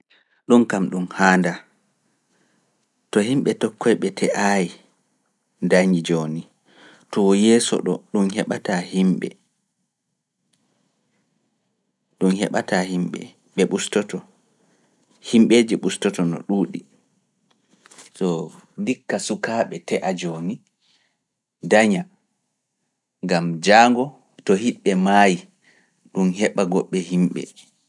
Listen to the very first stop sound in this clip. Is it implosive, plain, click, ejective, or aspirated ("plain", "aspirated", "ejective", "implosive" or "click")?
implosive